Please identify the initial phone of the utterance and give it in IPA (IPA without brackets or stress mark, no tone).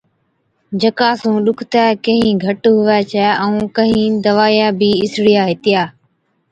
d͡ʒ